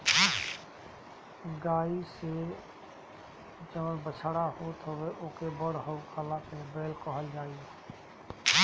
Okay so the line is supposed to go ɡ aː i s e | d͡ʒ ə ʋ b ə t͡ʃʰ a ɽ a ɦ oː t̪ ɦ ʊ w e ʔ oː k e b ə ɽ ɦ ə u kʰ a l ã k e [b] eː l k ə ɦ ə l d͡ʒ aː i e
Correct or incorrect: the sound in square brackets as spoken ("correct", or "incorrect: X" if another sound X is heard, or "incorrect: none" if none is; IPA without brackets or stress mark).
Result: correct